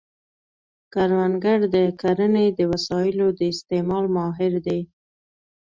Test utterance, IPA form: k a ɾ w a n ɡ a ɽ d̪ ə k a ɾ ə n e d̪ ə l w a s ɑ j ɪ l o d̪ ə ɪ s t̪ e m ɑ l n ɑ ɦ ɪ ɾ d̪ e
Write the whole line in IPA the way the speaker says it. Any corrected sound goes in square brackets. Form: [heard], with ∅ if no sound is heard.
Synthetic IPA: k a ɾ w a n ɡ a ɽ d̪ ə k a ɾ ə n e d̪ ə [∅] w a s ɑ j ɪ l o d̪ ə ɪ s t̪ e m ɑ l [m] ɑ ɦ ɪ ɾ d̪ e